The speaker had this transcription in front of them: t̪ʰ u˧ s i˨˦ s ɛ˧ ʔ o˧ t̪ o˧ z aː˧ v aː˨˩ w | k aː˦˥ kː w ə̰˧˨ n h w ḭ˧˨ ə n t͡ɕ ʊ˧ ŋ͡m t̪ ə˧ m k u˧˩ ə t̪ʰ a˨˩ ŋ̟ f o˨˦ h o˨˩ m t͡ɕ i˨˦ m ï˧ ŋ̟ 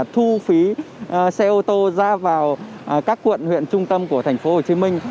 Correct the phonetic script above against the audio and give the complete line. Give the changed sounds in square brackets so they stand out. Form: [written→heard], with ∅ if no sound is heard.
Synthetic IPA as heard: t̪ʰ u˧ [s→f] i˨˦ s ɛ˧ ʔ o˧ t̪ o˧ z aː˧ v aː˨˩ w | k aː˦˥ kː w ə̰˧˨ n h w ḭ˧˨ ə n t͡ɕ ʊ˧ ŋ͡m t̪ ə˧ m k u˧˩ ə t̪ʰ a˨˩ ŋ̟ f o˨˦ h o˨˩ [m→∅] t͡ɕ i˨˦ m ï˧ ŋ̟

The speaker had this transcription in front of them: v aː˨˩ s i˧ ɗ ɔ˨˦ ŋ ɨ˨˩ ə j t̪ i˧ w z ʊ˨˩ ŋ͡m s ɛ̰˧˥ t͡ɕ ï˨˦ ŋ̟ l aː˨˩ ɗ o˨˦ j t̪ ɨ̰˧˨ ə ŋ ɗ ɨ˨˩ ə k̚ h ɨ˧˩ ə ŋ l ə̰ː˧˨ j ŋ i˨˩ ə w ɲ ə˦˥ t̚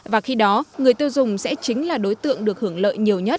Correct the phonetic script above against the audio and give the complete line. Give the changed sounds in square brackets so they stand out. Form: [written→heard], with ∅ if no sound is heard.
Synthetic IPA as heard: v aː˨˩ [s→x] i˧ ɗ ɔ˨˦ ŋ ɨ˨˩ ə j t̪ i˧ w z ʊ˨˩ ŋ͡m s ɛ̰˧˥ t͡ɕ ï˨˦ ŋ̟ l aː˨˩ ɗ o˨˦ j t̪ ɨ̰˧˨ ə ŋ ɗ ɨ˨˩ ə k̚ h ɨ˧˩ ə ŋ l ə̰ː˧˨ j [ŋ→ɲ] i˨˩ ə w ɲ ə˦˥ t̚

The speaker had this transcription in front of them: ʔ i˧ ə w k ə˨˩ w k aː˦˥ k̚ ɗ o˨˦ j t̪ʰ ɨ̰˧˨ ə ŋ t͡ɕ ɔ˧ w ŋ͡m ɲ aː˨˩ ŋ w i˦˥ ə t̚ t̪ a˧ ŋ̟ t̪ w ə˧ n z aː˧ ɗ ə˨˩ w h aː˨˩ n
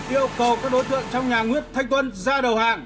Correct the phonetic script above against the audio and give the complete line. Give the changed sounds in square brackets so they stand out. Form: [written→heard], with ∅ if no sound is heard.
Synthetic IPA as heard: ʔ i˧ ə w k ə˨˩ w k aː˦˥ k̚ ɗ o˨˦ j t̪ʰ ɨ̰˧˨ ə ŋ t͡ɕ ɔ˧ w ŋ͡m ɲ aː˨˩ ŋ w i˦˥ ə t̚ [t̪→t̪ʰ] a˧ ŋ̟ t̪ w ə˧ n z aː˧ ɗ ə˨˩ w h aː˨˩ [n→ŋ]

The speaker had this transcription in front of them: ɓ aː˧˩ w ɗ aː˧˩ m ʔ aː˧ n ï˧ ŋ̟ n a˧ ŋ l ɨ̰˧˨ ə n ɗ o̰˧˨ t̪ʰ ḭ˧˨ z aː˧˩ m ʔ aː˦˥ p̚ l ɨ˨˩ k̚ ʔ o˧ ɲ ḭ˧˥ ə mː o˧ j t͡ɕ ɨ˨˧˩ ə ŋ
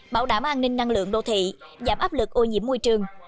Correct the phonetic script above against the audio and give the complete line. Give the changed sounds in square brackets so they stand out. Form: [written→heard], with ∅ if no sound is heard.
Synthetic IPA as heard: ɓ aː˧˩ w ɗ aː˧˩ m ʔ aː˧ n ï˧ ŋ̟ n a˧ ŋ l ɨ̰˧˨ ə [n→ŋ] ɗ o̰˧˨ t̪ʰ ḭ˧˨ z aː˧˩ m ʔ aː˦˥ p̚ l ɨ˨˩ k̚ ʔ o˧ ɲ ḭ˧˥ ə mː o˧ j t͡ɕ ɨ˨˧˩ ə ŋ

